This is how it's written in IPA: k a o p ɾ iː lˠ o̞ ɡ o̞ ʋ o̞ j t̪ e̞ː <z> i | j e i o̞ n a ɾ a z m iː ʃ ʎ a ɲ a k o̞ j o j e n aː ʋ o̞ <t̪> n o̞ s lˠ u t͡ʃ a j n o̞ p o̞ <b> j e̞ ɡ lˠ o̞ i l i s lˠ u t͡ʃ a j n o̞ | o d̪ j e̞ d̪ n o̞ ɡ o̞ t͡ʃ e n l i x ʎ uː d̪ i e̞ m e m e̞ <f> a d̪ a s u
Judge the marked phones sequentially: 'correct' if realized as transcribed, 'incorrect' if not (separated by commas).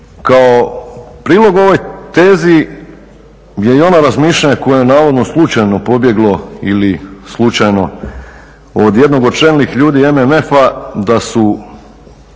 correct, incorrect, correct, correct